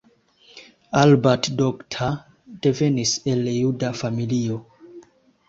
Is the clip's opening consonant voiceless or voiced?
voiced